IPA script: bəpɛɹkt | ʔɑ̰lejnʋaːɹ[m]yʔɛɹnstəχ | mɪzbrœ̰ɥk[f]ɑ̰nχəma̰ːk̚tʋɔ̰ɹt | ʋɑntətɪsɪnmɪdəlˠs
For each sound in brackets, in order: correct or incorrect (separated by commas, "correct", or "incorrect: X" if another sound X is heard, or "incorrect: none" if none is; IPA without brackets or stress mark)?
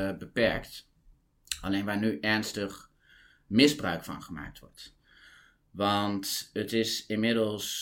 incorrect: n, correct